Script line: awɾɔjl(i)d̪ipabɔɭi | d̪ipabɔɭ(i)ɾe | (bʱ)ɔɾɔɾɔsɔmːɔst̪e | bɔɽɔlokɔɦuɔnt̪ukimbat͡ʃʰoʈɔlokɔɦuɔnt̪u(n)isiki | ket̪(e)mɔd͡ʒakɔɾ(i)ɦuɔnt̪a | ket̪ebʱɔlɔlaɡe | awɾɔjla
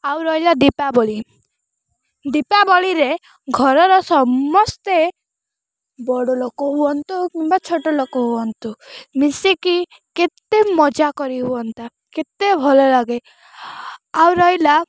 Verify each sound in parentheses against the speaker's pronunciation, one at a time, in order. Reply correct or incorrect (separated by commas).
incorrect, correct, incorrect, incorrect, correct, correct